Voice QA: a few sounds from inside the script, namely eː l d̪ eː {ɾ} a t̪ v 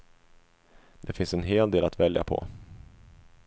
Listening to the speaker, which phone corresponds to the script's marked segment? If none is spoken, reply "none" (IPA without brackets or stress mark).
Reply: l